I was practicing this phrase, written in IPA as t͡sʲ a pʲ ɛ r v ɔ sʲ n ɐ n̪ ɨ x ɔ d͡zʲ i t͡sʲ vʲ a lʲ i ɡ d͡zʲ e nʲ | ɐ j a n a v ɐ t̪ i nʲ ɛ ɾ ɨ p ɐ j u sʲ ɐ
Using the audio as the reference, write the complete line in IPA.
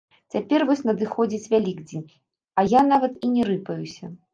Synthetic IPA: t͡sʲ a pʲ ɛ r v ɔ sʲ n ɐ d̪ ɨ x ɔ d͡zʲ i t͡sʲ vʲ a lʲ i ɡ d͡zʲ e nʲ | ɐ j a n a v ɐ t̪ i nʲ ɛ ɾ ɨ p ɐ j u sʲ ɐ